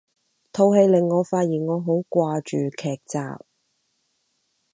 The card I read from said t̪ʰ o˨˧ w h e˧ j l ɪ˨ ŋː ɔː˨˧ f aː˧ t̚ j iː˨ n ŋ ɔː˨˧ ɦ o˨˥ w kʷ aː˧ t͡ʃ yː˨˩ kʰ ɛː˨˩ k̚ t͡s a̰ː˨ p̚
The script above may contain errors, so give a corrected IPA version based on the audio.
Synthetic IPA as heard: t̪ʰ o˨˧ w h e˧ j l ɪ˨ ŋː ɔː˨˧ f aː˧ t̚ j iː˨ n ŋ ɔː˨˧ ɦ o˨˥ w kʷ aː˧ t͡ʃ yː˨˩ kʰ ɛː˨˩ k̚ t͡s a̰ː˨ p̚

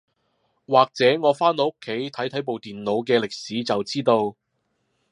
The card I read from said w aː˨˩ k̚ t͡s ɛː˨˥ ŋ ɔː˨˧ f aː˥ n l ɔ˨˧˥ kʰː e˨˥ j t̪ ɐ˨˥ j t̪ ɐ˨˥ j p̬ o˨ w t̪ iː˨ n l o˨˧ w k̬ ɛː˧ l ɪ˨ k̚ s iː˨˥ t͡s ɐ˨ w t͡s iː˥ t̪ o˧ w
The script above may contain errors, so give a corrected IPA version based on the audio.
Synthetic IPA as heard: w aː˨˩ k̚ t͡s ɛː˨˥ ŋ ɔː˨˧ f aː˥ n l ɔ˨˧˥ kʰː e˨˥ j t̪ʰ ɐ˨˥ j t̪ʰ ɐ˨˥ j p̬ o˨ w t̪ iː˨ n l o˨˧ w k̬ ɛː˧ l ɪ˨ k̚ s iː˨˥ t͡s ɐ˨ w t͡s iː˥ t̪ o˧ w

